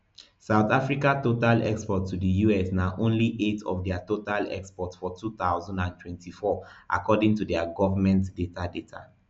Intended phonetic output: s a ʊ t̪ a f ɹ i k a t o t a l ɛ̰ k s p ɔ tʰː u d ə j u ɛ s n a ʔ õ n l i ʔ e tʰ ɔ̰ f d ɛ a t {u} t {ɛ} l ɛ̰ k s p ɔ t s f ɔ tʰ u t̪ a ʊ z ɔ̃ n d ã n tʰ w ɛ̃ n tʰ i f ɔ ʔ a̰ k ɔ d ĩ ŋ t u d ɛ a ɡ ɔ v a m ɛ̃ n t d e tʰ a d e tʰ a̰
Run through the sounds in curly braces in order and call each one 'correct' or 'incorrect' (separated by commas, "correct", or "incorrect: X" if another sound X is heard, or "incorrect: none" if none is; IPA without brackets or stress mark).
incorrect: o, incorrect: a